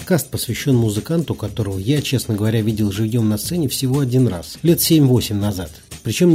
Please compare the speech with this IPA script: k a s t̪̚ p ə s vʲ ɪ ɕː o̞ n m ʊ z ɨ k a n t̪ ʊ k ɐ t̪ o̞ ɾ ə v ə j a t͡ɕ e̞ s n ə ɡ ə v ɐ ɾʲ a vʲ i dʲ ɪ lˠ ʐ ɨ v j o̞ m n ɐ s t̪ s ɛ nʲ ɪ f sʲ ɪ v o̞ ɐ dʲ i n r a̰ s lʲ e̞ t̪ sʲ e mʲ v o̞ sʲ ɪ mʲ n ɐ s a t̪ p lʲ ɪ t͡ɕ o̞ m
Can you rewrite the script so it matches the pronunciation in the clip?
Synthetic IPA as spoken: k a s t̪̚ p ə s vʲ ɪ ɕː o̞ n m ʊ z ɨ k a n t̪ ʊ k ɐ t̪ o̞ ɾ ə v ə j a t͡ɕ e̞ s n ə ɡ ə v ɐ ɾʲ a vʲ i dʲ ɪ lˠ ʐ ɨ v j o̞ m n ɐ s t̪ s ɛ nʲ ɪ f sʲ ɪ v o̞ ɐ dʲ i n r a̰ s lʲ e̞ t̪ sʲ e mʲ v o̞ sʲ ɪ mʲ n ɐ z a t̪ p ɾʲ ɪ t͡ɕ o̞ m